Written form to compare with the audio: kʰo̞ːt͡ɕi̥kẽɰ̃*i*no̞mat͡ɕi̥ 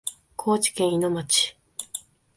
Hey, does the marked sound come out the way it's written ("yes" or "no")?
yes